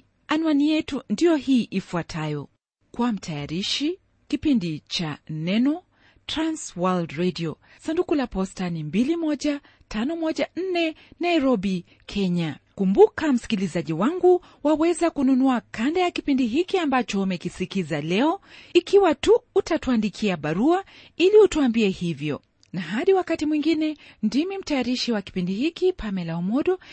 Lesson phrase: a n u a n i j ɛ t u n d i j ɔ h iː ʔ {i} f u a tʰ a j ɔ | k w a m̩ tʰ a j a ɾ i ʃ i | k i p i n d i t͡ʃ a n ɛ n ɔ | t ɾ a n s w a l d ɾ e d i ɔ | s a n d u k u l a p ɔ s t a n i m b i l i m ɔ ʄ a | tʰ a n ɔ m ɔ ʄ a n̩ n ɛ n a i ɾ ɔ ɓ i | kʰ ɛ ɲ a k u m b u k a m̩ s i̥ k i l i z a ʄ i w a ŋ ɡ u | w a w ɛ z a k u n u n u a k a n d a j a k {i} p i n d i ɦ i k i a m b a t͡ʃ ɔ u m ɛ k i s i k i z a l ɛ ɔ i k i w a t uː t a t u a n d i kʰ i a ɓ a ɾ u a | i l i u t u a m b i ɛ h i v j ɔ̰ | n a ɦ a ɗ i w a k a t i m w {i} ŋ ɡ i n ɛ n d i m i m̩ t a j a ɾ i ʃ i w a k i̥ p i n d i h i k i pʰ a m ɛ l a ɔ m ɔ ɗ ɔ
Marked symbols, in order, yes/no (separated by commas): yes, yes, yes